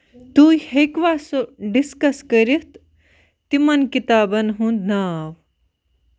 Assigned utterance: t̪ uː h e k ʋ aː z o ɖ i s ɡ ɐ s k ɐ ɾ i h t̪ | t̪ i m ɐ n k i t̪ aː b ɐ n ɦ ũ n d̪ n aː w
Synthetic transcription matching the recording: t̪ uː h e k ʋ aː s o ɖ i s k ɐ s k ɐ ɾ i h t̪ | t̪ i m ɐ n k i t̪ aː b ɐ n ɦ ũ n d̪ n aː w